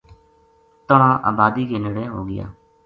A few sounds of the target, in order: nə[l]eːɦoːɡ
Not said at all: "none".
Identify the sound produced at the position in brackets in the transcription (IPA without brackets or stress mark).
ɽ